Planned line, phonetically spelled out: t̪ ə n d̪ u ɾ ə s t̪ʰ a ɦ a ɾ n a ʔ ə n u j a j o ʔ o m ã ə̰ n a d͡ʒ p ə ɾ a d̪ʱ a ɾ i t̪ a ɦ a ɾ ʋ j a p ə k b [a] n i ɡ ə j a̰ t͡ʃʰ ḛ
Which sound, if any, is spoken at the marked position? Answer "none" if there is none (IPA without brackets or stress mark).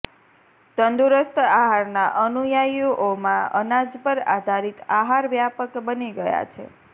ə